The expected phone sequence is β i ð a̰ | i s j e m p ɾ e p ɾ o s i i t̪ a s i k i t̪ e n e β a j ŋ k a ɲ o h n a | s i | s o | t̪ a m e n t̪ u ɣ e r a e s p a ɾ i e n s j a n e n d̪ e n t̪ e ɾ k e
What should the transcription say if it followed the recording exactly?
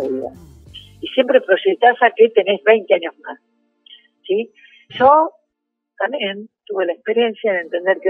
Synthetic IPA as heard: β i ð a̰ | i s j e m p ɾ e p ɾ o s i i t̪ a s a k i t̪ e n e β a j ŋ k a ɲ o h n a | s i | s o | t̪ a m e n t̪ u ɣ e l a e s p e ɾ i e n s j a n e n t̪ e n d̪ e ɾ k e